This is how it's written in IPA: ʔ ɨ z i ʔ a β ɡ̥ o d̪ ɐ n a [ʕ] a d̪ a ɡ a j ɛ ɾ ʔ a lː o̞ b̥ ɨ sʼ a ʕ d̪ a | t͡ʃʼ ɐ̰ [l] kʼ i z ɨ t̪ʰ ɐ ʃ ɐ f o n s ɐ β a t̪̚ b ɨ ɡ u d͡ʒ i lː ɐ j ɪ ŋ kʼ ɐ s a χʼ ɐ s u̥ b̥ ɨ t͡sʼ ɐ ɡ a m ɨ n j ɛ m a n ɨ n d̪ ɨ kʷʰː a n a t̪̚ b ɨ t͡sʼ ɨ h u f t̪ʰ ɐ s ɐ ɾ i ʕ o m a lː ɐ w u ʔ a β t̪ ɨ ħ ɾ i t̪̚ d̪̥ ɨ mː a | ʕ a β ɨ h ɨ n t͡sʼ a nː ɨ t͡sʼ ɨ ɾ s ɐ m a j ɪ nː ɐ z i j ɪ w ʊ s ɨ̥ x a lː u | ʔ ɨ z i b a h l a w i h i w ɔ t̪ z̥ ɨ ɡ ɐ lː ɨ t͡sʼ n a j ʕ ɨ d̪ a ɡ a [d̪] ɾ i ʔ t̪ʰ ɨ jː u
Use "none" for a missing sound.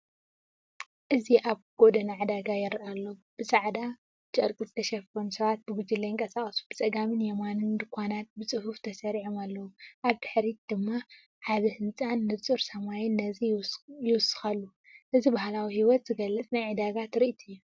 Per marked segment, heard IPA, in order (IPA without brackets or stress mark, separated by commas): ʕ, ɾ, t̪